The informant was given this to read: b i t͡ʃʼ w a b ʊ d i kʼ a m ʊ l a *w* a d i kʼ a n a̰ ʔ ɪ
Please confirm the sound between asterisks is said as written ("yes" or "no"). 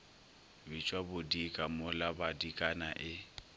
no